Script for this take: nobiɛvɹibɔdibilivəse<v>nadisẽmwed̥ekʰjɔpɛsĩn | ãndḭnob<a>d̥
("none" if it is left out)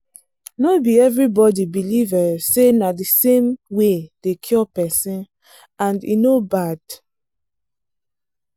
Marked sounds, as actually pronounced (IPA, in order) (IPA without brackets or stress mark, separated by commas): none, a